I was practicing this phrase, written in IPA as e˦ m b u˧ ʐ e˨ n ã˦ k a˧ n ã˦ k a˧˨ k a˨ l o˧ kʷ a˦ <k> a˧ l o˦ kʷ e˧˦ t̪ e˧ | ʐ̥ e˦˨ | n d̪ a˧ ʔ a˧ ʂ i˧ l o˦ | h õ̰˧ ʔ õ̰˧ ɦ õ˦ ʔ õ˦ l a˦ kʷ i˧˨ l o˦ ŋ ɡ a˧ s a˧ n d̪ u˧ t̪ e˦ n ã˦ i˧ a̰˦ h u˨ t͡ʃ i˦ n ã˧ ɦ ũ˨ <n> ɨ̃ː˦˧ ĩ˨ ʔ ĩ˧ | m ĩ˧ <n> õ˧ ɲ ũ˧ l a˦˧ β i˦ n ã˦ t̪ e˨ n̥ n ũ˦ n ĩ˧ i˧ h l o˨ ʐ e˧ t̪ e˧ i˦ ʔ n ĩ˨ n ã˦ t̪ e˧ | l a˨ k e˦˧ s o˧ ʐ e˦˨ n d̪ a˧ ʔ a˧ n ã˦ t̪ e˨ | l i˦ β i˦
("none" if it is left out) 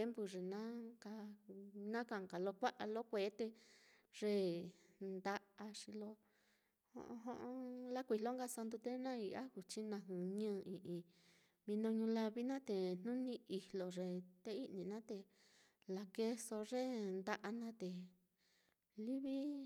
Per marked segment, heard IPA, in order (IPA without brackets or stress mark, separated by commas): ʔ, ɲ, n